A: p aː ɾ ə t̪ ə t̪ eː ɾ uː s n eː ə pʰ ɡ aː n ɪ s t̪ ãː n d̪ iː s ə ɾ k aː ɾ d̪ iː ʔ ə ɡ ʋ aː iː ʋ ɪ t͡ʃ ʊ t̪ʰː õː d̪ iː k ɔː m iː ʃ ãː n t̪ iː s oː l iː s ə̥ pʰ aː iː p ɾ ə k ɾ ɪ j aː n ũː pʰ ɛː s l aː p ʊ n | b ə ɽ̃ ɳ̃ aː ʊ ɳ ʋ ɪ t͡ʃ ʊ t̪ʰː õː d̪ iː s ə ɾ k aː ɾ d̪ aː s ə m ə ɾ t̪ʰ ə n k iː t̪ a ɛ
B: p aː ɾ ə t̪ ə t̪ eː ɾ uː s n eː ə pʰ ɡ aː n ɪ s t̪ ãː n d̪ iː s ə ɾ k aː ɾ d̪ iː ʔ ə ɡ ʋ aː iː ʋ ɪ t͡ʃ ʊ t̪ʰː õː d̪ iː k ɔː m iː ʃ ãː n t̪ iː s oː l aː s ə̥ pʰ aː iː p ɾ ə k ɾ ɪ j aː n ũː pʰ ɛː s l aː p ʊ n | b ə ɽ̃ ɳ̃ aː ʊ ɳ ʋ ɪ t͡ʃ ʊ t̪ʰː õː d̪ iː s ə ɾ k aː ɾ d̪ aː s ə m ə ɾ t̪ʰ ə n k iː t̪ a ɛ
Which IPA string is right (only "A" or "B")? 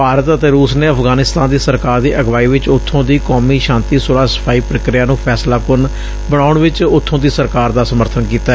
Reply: B